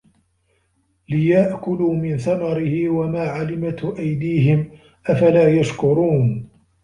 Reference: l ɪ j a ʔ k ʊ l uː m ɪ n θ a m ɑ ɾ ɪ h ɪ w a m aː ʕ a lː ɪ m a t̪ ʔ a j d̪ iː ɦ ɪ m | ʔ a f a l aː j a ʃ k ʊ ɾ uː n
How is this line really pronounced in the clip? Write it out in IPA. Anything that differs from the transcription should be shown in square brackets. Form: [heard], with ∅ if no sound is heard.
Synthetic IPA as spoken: l ɪ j a ʔ k ʊ l uː m ɪ n θ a m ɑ ɾ ɪ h ɪ w a m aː ʕ a [l] ɪ m a t̪ ʔ a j d̪ iː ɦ ɪ m | ʔ a f a l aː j a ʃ k ʊ ɾ uː n